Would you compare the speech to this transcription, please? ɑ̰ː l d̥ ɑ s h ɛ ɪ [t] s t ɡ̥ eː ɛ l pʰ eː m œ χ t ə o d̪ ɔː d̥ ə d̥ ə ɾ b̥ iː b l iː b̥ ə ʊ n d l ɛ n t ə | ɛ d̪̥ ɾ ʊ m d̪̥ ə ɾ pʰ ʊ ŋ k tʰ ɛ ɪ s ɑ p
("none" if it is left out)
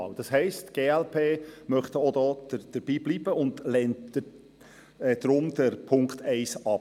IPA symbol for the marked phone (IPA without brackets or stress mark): none